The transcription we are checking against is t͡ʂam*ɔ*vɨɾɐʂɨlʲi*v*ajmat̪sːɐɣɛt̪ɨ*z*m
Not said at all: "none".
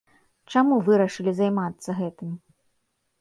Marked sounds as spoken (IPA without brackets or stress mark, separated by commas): u, z, none